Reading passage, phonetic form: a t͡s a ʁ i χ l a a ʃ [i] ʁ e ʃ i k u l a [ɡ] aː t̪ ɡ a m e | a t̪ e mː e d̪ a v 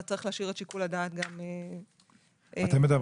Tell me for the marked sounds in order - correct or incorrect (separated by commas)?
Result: correct, incorrect